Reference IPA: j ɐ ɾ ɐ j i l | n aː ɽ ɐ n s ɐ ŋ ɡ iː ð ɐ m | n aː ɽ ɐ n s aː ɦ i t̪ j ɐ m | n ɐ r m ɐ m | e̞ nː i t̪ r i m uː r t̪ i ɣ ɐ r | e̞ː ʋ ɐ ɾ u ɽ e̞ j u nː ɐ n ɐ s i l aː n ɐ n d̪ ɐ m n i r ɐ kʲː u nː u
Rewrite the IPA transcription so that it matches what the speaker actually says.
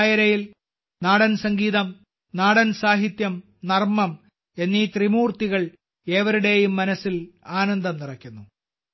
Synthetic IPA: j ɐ ɾ ɐ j i l | n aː ɽ ɐ n s ɐ ŋ ɡ iː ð ɐ m | n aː ɽ ɐ n s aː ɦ i t̪ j ɐ m | n ɐ r m ɐ m | e̞ nː i t̪ r i m uː r t̪ i ɣ ɐ ɭ | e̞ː ʋ ɐ ɾ u ɽ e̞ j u mː ɐ n ɐ s i l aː n ɐ n d̪ ɐ m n i r ɐ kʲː u nː u